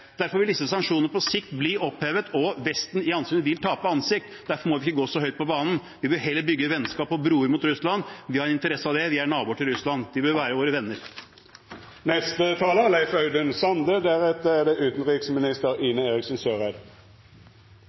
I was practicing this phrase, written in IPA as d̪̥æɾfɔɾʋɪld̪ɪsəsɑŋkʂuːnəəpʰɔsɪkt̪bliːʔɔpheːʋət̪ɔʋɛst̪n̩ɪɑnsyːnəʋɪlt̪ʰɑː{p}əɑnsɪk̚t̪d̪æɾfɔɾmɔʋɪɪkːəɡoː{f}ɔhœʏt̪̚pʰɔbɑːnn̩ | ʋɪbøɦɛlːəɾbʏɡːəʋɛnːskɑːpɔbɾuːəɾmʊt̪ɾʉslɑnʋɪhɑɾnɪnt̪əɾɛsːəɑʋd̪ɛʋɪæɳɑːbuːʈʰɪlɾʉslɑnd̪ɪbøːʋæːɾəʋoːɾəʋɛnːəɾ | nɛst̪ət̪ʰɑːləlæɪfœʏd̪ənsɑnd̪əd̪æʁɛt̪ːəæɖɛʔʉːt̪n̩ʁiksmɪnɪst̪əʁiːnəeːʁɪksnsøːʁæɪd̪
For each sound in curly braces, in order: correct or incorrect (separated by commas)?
correct, incorrect